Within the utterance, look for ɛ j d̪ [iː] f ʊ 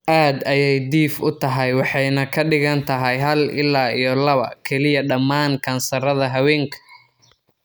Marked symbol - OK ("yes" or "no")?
yes